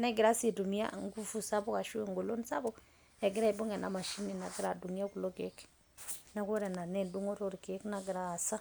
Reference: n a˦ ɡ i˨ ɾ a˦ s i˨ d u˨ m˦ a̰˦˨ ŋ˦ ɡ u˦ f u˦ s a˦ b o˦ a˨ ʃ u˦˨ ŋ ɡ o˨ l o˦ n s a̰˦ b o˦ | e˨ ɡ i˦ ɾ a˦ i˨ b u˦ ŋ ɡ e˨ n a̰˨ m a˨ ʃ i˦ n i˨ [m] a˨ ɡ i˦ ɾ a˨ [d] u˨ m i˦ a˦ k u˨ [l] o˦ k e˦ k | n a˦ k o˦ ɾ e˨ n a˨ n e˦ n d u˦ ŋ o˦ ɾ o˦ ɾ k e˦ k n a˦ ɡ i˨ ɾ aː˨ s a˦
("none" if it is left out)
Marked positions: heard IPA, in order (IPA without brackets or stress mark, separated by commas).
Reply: n, d, l